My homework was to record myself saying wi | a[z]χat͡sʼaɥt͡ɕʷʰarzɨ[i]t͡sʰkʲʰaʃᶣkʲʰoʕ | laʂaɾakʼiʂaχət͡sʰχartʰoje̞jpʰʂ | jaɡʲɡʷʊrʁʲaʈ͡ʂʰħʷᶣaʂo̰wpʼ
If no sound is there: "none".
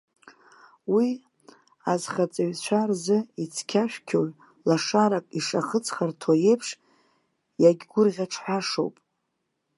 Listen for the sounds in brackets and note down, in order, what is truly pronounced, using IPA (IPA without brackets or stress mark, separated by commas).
z, i